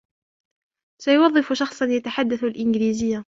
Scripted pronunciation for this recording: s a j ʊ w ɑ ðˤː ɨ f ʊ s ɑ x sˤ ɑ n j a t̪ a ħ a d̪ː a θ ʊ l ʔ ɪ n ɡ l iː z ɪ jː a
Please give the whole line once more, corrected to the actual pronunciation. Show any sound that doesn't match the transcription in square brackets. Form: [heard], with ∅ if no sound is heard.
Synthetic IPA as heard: s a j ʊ w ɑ ðˤː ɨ f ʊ [ʃ] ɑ x sˤ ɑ n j a t̪ a ħ a d̪ː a θ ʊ l ʔ ɪ n ɡ l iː z ɪ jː a